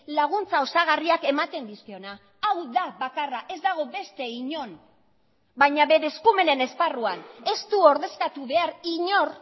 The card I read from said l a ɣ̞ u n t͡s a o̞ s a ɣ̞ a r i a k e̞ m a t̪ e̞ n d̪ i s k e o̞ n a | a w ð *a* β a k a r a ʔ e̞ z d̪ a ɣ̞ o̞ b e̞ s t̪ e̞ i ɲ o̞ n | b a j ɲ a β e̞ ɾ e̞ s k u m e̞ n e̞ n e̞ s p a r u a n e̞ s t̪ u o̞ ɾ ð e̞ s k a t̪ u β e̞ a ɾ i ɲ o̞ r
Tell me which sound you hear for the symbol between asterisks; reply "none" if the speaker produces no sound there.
a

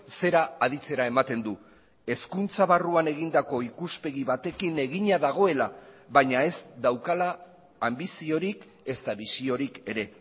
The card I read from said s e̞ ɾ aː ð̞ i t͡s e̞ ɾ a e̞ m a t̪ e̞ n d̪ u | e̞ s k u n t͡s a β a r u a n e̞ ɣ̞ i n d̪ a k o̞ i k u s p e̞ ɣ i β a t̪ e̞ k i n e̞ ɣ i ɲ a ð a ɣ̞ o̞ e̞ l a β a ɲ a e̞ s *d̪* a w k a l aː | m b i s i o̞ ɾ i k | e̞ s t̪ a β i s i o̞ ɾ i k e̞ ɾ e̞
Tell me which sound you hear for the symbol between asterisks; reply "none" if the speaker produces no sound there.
d̪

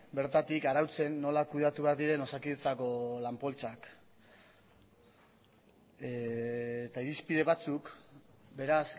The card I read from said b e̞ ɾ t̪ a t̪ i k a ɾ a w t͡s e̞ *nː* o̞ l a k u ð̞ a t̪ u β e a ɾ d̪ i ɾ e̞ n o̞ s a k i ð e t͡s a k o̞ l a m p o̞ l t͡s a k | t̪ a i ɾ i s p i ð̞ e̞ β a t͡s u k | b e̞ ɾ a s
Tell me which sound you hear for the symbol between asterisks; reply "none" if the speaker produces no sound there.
nː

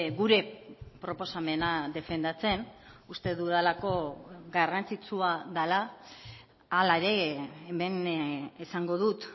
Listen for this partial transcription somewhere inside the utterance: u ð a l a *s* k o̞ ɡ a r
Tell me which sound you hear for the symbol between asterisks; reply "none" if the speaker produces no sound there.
none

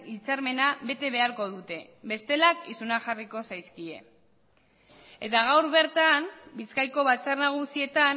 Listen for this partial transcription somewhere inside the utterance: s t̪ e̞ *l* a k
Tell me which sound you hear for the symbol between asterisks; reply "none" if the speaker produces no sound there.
l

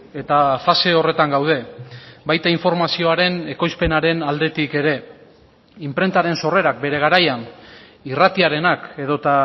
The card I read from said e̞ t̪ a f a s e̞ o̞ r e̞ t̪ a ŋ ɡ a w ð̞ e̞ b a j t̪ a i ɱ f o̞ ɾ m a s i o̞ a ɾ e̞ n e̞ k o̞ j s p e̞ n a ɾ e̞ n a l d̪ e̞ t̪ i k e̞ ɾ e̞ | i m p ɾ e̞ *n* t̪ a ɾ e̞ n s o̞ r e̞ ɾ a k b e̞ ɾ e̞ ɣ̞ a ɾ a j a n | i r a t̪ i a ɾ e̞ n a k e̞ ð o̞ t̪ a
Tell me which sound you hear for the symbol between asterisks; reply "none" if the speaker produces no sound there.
n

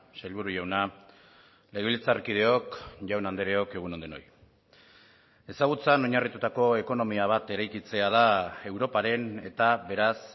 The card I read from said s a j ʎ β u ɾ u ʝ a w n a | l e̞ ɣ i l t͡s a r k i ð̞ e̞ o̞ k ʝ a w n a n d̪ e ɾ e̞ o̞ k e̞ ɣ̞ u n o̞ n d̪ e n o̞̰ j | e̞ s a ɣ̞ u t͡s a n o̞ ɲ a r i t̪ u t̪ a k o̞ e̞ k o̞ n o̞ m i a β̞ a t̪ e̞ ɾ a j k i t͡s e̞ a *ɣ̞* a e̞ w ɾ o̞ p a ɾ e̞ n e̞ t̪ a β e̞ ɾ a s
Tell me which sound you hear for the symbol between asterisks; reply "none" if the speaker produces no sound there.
ð̞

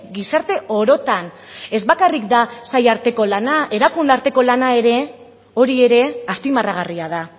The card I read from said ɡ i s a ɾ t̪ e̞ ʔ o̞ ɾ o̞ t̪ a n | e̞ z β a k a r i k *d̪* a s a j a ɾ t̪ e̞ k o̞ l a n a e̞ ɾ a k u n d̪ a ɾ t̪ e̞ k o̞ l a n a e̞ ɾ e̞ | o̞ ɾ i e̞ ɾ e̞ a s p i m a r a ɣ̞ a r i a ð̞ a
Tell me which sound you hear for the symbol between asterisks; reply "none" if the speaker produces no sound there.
d̪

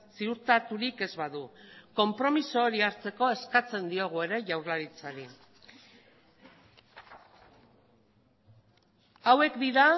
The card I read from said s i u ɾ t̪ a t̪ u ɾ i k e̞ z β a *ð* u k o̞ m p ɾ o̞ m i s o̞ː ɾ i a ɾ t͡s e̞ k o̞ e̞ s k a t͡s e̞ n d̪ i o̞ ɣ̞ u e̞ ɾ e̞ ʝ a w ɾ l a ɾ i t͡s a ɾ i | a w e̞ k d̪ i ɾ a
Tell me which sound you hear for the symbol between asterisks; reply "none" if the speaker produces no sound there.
ð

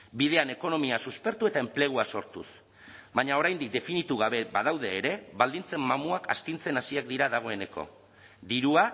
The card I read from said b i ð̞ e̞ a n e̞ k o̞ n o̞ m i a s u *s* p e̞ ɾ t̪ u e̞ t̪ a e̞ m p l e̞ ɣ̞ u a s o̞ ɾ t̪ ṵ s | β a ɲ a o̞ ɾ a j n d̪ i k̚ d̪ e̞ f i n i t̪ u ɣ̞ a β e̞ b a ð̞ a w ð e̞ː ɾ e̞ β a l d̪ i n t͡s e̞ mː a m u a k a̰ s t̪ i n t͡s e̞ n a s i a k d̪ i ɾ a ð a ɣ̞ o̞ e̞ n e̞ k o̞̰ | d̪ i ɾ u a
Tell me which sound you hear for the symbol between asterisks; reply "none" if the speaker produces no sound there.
s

